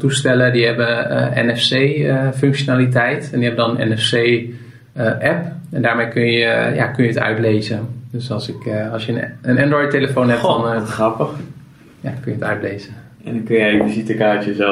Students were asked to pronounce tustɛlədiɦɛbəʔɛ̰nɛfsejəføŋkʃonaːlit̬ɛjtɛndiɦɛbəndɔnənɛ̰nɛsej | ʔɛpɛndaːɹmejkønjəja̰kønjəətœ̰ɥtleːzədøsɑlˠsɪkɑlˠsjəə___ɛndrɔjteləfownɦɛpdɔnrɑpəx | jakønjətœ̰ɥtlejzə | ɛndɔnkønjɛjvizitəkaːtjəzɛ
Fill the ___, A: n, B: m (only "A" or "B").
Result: A